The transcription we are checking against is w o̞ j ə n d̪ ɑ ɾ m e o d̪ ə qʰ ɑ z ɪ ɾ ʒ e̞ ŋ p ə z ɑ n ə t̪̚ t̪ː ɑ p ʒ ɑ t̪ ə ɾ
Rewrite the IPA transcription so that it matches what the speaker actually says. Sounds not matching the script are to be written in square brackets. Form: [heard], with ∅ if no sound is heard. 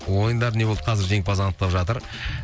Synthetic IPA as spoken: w o̞ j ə n d̪ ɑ ɾ [n] e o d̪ ə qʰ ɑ z ɪ ɾ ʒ e̞ ŋ p [ɑ] z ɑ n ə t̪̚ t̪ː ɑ p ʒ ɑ t̪ ə ɾ